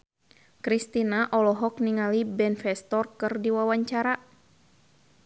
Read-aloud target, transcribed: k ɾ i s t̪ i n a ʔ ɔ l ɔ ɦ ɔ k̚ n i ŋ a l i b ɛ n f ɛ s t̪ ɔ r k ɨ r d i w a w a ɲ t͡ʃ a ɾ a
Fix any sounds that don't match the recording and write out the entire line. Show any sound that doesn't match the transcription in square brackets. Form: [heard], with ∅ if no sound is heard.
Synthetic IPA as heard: k ɾ i s t̪ i n a ʔ ɔ l ɔ ɦ ɔ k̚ n i ŋ a l i b ɛ n f ɛ s t̪ ɔ r k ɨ r d i w a w a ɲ t͡ʃ a ɾ a